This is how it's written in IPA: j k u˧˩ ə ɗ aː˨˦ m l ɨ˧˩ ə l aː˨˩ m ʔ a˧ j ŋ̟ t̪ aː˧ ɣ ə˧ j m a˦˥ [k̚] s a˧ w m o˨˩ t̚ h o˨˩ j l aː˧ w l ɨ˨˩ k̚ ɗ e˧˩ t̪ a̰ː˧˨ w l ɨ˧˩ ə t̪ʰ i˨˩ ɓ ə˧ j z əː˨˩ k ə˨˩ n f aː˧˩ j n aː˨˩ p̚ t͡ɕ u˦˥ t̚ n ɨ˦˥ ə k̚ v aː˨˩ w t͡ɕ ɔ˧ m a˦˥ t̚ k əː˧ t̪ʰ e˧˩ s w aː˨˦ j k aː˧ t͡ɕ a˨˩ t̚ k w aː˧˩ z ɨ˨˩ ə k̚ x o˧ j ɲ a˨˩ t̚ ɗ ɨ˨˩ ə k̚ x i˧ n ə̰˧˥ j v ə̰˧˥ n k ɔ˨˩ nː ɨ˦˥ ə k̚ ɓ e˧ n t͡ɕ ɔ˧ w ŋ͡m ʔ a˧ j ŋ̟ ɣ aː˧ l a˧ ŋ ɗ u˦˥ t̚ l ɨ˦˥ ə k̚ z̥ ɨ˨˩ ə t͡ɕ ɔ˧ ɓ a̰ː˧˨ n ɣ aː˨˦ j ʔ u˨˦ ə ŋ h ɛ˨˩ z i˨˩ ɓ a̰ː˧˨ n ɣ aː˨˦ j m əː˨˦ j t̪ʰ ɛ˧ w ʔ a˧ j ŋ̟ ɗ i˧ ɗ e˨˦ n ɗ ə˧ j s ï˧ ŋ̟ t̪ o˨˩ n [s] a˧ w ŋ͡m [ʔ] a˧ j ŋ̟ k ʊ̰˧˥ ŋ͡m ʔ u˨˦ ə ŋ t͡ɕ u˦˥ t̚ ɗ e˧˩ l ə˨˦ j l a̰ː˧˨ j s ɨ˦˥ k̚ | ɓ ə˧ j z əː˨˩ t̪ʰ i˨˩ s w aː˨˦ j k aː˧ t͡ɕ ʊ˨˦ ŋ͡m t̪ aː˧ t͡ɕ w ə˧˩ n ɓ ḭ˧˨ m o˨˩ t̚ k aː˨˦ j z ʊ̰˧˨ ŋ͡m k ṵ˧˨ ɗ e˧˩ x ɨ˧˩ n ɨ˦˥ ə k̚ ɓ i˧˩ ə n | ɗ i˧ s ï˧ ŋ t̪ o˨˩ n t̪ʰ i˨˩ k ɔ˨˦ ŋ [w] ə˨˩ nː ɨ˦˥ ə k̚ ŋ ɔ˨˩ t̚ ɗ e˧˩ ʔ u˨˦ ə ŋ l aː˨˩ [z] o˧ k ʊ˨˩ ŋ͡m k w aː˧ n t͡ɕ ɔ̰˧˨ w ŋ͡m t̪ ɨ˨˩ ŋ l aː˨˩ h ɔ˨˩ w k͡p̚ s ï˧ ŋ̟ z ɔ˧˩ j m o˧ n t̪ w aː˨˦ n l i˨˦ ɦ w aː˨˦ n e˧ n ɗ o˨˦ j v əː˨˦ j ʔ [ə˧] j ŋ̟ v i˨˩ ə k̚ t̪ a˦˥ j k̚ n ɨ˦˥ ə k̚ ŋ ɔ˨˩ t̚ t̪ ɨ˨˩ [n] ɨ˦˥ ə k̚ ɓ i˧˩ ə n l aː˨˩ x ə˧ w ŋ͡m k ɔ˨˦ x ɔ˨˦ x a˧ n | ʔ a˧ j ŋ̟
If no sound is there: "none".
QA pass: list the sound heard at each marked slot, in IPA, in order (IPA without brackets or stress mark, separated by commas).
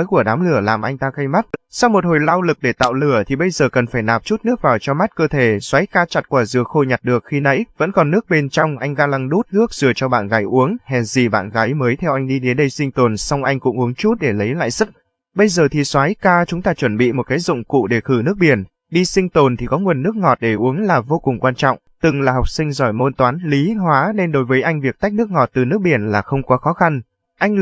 t̚, s, ʔ, w, v, a˧, n